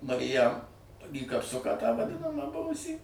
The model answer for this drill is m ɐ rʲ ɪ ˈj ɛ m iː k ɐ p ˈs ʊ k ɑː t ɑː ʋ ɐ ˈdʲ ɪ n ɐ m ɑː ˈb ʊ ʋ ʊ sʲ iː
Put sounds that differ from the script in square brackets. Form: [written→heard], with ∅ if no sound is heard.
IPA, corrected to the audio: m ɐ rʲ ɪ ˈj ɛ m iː k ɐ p ˈs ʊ k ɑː t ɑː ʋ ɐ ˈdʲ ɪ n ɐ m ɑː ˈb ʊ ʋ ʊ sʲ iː